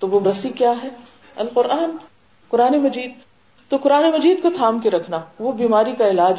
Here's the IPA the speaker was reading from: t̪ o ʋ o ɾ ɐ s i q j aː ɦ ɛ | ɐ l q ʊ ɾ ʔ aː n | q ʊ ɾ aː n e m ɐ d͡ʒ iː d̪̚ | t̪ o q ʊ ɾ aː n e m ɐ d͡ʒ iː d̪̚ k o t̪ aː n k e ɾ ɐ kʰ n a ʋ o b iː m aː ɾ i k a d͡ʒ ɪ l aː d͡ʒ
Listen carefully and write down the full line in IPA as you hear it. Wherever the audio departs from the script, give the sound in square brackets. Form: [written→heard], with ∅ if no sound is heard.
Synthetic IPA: t̪ o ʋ o ɾ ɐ s i [q→k] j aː ɦ ɛ | ɐ l q ʊ ɾ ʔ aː n | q ʊ ɾ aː n e m ɐ d͡ʒ iː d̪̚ | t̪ o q ʊ ɾ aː n e m ɐ d͡ʒ iː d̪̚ k o [t̪→t̪ʰ] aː [n→m] k e ɾ ɐ kʰ n a ʋ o b iː m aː ɾ i k a [d͡ʒ→∅] ɪ l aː d͡ʒ